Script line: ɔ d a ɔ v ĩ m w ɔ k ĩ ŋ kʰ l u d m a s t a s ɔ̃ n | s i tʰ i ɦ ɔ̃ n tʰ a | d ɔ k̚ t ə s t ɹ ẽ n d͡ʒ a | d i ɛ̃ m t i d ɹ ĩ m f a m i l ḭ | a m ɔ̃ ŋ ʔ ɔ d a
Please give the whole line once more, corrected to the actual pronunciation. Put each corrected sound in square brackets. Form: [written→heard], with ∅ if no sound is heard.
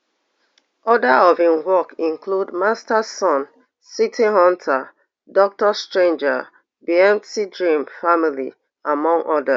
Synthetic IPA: ɔ d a ɔ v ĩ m w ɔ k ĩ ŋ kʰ l u d m a s t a s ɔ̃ n | s i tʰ i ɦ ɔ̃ n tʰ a | d ɔ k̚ t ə s t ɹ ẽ n d͡ʒ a | [d→b] i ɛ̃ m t i d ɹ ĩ m f a m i l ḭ | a m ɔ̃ ŋ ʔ ɔ d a

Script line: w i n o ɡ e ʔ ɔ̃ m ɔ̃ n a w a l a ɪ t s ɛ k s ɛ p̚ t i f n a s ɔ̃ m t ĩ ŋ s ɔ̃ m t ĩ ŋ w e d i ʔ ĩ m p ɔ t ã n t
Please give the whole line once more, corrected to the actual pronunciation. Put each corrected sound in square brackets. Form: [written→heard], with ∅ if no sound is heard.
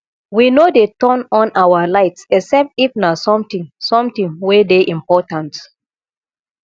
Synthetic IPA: w i n o [ɡ→d] e [ʔ→t] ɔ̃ [m→n] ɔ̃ n a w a l a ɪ t s ɛ k s ɛ p̚ t i f n a s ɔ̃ m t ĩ ŋ s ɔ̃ m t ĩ ŋ w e d [i→e] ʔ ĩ m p ɔ t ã n t

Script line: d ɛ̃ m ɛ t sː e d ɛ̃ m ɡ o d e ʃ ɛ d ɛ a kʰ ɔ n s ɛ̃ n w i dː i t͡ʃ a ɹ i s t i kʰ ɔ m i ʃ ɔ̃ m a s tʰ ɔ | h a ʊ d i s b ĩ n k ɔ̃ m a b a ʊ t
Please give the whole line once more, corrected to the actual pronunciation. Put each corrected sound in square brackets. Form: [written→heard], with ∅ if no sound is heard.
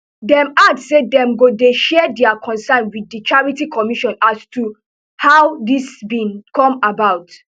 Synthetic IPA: d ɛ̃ m [ɛ→a] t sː e d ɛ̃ m ɡ o d e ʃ ɛ d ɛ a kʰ [ɔ→ɔ̃] n s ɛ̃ n w i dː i t͡ʃ a ɹ i [s→∅] t i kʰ ɔ m i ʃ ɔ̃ [m→n] a s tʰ [ɔ→u] | h a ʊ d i s b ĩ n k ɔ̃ m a b a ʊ t

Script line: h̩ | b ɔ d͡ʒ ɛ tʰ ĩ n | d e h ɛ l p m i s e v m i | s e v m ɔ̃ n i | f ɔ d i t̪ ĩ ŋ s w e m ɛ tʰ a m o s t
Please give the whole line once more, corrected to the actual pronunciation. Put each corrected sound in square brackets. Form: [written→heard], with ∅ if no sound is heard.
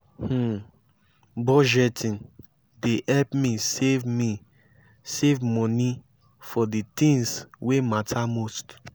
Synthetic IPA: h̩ | b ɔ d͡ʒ ɛ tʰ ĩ n | d e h ɛ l p m i s e v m i | s e v m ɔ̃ n i | f ɔ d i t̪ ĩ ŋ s w e m [ɛ→a] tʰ a m o s t

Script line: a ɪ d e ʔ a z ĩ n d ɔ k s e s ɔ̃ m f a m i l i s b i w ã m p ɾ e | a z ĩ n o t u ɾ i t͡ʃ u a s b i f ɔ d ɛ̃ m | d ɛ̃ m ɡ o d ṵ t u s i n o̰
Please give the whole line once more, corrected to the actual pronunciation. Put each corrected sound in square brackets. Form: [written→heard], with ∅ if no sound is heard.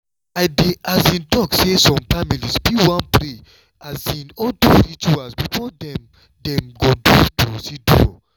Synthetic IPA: a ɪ d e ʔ a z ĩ n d ɔ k s e s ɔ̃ m f a m i l i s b i w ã [m→n] p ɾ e | a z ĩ n [o→ɔ] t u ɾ i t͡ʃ u a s b i f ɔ d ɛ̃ m | d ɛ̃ m ɡ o d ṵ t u s i [n→d] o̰

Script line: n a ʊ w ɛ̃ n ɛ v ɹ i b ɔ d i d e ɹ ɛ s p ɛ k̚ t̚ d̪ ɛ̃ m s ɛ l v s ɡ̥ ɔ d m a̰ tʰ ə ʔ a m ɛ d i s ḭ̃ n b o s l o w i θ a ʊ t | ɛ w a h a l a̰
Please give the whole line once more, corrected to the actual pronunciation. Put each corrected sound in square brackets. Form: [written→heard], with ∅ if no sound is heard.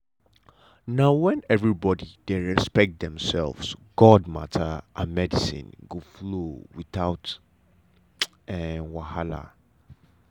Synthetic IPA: n a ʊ w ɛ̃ n ɛ v ɹ i b ɔ d i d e ɹ ɛ s p ɛ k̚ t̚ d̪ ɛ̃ m s ɛ l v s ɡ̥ ɔ d m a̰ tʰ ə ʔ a m ɛ d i s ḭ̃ n [b→ɡ] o [s→f] l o w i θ a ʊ t | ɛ w a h a l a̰

